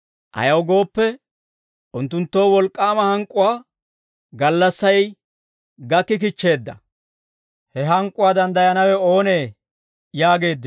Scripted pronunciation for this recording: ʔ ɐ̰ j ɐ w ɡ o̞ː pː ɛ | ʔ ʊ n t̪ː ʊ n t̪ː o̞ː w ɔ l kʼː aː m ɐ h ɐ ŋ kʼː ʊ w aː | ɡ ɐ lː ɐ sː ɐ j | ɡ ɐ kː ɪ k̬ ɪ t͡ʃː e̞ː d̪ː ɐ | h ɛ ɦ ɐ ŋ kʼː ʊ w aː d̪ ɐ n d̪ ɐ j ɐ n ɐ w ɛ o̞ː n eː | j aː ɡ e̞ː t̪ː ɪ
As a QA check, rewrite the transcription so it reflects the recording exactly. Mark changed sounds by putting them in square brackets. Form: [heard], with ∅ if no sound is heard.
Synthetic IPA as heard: ʔ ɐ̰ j ɐ w ɡ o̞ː pː ɛ | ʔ ʊ n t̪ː ʊ n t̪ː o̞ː w ɔ l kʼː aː m ɐ h ɐ ŋ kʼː ʊ w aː | ɡ ɐ lː ɐ sː ɐ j | ɡ ɐ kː ɪ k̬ ɪ t͡ʃː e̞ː d̪ː ɐ | h ɛ ɦ ɐ ŋ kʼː ʊ w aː d̪ ɐ n d̪ ɐ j ɐ n ɐ w ɛ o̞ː n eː | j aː ɡ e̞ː [d̪ː] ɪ